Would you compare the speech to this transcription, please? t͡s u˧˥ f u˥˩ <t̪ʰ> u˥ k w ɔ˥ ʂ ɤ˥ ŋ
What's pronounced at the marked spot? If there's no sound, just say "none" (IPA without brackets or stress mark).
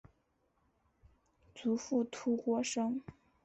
t̪ʰ